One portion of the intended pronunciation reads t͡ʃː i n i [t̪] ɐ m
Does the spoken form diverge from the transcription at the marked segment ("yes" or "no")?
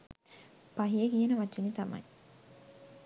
no